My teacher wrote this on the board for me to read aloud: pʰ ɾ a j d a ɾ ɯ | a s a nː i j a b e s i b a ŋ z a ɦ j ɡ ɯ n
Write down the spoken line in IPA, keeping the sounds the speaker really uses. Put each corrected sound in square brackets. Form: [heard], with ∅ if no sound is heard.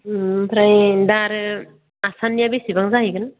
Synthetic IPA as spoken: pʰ ɾ a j d a ɾ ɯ | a s a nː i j a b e s i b a ŋ z a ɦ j ɡ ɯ n